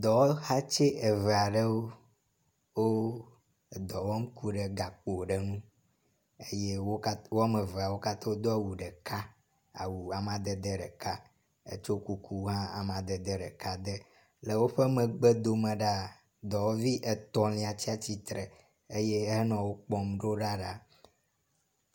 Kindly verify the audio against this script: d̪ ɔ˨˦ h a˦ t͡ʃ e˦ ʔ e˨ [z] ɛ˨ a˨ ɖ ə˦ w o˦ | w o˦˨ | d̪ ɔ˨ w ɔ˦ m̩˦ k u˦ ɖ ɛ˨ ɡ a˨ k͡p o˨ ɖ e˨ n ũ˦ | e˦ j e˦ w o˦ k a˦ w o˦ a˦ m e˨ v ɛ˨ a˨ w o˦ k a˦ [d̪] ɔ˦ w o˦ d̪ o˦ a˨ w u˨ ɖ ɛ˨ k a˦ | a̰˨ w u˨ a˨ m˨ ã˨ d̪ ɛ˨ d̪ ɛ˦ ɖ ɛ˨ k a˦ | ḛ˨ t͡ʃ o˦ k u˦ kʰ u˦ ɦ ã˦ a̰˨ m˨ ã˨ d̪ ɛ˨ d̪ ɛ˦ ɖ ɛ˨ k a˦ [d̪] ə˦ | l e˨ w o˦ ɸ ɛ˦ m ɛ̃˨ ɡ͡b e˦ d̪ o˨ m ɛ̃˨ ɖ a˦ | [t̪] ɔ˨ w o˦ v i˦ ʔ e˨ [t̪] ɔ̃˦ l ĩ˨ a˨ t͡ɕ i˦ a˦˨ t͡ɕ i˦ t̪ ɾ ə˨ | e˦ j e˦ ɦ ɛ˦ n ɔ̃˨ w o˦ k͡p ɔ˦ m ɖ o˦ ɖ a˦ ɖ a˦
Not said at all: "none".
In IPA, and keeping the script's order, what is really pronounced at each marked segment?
v, t̪, d̪, d̪, t̪

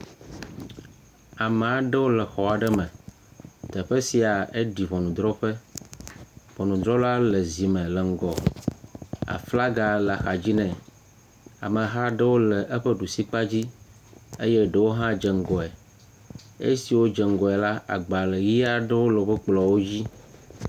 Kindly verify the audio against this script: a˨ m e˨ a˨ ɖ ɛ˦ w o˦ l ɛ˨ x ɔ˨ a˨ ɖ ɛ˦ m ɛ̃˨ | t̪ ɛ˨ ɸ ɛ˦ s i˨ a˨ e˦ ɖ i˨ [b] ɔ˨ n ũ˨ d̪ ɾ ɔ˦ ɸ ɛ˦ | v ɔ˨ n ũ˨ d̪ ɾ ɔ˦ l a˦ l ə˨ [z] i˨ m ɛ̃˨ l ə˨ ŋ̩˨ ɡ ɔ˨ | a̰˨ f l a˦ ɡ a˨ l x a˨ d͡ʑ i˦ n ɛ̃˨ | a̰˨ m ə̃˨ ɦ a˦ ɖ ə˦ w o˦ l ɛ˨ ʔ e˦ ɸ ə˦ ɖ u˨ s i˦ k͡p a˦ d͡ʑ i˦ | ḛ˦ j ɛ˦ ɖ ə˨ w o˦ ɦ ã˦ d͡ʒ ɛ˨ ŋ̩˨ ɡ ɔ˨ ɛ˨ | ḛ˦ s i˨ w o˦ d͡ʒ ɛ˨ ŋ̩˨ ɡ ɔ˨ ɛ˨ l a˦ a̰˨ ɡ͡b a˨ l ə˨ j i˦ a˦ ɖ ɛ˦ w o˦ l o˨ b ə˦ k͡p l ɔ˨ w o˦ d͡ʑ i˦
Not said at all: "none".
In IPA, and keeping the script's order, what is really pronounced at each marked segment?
v, z

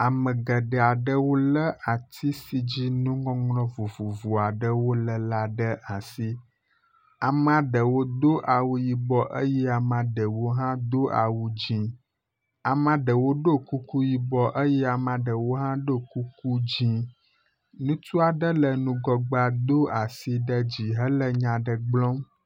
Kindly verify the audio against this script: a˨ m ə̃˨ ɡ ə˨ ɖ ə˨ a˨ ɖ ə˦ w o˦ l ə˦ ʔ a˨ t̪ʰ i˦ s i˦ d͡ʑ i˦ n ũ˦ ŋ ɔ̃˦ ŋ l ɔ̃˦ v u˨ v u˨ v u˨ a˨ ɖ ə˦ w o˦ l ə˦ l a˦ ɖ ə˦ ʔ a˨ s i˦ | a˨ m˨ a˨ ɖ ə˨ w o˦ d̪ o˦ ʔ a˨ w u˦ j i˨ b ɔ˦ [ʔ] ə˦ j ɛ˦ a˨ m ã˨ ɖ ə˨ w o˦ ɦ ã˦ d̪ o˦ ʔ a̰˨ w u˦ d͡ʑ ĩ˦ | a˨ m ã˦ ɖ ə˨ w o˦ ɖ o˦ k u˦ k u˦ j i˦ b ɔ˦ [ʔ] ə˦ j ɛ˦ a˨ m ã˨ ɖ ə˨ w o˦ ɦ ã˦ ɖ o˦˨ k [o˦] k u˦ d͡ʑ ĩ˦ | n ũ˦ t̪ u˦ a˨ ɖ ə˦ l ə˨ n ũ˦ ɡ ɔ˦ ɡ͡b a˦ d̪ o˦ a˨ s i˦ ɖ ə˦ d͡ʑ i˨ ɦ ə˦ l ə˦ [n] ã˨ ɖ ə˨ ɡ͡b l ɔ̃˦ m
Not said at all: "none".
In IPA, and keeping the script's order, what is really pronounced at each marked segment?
ʔ, ʔ, u˦, ɲ

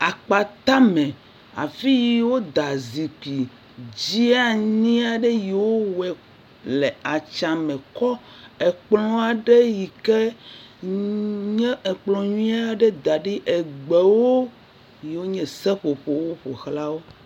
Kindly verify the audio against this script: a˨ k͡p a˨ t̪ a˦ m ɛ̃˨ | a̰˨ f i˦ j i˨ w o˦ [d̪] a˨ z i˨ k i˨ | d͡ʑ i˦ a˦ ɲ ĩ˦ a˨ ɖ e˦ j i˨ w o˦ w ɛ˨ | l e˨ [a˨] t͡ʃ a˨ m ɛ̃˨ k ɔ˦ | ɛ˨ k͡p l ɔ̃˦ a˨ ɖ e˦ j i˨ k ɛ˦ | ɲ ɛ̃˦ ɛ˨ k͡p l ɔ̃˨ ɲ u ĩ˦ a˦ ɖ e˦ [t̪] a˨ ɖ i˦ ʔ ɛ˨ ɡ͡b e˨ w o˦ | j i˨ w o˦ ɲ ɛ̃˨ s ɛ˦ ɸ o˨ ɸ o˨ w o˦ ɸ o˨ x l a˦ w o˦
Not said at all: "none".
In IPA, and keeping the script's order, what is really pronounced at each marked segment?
d̪, a˨, d̪

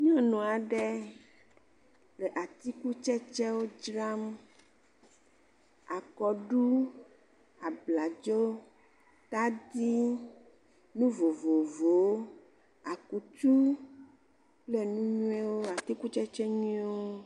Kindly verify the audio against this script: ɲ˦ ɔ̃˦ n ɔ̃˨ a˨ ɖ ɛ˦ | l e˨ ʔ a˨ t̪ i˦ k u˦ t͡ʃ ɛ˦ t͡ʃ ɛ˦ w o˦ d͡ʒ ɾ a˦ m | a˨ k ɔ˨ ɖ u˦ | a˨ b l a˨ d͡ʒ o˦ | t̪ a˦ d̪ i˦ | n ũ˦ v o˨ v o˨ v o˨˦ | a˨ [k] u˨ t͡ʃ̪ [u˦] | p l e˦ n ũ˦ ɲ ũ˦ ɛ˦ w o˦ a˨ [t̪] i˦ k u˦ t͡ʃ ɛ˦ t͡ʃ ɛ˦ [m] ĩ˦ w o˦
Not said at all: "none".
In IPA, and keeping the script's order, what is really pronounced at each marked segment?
k, u˦, t̪, ɲ

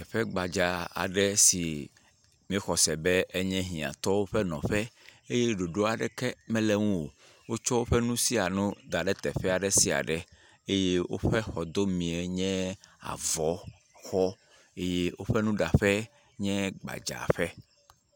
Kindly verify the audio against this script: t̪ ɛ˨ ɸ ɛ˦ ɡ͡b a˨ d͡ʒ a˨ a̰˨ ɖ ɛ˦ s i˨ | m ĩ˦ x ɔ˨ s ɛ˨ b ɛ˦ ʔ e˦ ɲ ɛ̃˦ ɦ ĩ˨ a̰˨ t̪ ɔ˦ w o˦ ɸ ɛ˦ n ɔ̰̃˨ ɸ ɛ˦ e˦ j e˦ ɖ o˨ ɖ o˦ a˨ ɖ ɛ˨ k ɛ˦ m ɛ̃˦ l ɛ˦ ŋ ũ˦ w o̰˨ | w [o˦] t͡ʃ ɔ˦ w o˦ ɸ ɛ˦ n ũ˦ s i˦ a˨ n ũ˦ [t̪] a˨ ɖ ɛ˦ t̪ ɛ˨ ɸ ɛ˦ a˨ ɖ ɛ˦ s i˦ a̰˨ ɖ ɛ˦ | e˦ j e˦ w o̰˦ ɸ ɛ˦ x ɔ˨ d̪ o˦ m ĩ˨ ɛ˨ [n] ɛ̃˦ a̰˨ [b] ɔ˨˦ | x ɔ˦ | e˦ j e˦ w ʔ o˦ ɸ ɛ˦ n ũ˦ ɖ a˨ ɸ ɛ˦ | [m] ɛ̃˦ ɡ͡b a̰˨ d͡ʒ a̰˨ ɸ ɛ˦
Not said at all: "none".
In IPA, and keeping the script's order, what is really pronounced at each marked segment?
o˦, d̪, ɲ, v, ɲ

